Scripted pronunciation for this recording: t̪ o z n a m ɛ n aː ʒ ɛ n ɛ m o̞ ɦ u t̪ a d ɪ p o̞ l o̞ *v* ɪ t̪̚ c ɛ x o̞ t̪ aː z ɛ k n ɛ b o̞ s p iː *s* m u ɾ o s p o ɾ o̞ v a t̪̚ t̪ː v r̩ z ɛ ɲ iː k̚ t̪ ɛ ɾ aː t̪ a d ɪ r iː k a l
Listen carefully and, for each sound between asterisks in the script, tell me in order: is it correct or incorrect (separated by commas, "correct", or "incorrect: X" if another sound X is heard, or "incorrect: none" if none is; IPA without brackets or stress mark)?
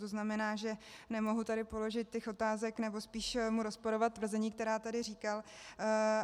incorrect: ʒ, incorrect: ʃ